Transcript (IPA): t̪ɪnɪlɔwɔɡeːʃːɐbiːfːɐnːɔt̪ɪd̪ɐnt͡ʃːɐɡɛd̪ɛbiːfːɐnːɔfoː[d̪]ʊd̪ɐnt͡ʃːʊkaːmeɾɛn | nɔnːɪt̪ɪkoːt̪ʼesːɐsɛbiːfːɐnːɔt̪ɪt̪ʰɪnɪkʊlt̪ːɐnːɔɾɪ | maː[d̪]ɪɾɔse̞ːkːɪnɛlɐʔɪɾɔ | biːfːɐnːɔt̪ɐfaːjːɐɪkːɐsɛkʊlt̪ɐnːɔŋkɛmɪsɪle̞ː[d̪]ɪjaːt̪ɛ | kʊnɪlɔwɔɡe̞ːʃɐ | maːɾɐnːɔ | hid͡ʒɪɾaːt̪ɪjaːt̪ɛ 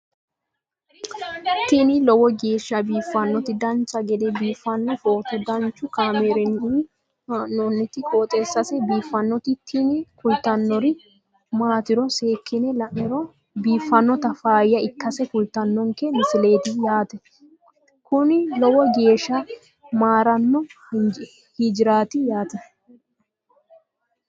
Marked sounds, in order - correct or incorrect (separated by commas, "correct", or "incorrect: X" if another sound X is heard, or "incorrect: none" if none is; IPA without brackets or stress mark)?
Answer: incorrect: t̪, incorrect: t̪, incorrect: t̪